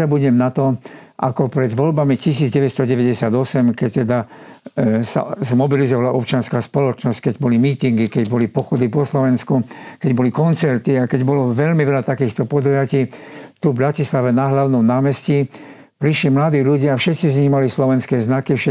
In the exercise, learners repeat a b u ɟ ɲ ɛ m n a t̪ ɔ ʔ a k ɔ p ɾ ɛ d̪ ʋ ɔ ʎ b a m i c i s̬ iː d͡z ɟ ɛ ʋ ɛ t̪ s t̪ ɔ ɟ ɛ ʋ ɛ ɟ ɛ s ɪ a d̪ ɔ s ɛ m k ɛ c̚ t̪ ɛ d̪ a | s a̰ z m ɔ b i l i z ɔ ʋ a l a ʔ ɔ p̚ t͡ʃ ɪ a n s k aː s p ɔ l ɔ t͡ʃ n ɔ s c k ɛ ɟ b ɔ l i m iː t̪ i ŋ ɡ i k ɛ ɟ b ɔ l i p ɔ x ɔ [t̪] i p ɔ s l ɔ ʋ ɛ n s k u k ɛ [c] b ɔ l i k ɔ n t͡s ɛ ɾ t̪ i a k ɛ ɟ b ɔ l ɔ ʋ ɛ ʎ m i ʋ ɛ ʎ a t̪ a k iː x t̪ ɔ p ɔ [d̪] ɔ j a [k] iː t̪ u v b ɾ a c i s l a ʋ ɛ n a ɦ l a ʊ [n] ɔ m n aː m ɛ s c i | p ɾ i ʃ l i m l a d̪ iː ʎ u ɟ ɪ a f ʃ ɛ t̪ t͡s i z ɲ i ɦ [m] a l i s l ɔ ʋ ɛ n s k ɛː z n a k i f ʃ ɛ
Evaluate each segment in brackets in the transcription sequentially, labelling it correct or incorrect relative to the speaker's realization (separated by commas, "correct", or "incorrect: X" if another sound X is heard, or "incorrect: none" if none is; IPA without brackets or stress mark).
incorrect: d̪, incorrect: ɟ, correct, incorrect: c, correct, correct